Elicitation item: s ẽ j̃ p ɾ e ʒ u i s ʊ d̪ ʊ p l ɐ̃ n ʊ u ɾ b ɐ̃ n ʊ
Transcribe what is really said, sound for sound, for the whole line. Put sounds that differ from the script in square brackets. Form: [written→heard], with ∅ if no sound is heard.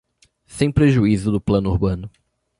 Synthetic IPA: s ẽ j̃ p ɾ e ʒ u i [s→z] ʊ d̪ ʊ p l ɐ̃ n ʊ u ɾ b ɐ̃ n ʊ